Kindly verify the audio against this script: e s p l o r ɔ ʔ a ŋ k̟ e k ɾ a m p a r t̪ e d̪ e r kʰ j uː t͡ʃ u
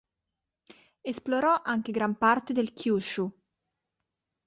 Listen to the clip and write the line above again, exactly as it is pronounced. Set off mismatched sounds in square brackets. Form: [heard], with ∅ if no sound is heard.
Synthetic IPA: e s p l o [ɾ] ɔ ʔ a ŋ k̟ e [ɡ] ɾ a m p a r t̪ e d̪ e [l] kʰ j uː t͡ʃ u